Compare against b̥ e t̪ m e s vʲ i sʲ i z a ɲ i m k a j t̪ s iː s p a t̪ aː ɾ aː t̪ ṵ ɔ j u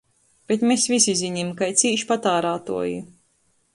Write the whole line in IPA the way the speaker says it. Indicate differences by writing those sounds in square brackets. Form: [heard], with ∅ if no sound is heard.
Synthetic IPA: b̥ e t̪ m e s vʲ i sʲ i z [i] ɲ i m k a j t̪ s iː [ʃ] p a t̪ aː ɾ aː t̪ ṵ ɔ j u